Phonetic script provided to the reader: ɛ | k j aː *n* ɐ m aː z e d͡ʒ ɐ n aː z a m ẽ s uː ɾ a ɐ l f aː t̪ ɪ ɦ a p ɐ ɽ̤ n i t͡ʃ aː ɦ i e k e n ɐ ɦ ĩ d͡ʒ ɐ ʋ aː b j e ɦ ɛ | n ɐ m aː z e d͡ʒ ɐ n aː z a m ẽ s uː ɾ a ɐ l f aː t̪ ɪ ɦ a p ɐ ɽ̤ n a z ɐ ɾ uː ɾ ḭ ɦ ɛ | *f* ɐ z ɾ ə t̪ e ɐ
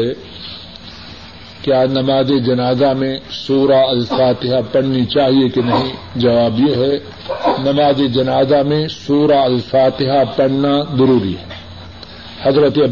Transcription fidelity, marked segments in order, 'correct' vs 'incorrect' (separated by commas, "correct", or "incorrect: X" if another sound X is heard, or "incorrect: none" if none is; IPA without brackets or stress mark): correct, incorrect: h